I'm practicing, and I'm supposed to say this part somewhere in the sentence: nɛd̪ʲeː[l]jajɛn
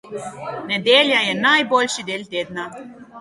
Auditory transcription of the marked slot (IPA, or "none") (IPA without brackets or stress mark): l